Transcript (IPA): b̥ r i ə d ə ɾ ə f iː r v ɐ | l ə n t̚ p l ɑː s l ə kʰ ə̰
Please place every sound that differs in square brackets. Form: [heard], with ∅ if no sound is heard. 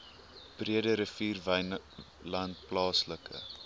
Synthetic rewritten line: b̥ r i ə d ə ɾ ə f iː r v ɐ | l [ɐ] n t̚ p l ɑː s l ə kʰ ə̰